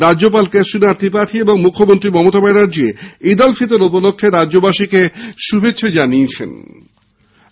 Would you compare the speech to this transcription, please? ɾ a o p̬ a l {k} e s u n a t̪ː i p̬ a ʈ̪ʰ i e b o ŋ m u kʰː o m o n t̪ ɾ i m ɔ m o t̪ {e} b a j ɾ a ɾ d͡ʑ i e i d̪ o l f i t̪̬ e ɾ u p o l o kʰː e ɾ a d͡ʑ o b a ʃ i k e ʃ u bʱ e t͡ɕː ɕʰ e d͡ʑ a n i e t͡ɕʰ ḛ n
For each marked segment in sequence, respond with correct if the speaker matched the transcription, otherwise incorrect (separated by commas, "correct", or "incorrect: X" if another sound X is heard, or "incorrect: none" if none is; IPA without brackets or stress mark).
correct, incorrect: a